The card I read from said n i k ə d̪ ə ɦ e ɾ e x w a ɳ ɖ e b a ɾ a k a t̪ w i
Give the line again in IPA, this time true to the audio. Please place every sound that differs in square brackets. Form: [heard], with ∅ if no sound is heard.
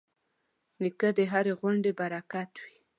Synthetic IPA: n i k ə d̪ ə ɦ [a] ɾ e [ɣ] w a ɳ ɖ e b a ɾ a k a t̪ w i